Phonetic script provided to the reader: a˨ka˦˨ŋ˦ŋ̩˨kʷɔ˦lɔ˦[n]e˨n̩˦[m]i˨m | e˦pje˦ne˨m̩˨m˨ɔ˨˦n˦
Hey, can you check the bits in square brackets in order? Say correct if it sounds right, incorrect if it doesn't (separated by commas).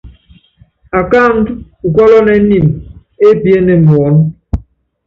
correct, incorrect